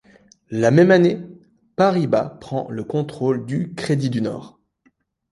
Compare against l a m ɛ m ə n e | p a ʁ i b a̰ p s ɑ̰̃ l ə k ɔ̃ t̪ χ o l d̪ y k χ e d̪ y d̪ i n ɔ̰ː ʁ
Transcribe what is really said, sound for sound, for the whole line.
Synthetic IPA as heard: l a m ɛ m a n e | p a ʁ i b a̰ p χ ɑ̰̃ l ə k ɔ̃ t̪ χ o l d̪ y k χ e d̪ i d̪ y n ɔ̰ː ʁ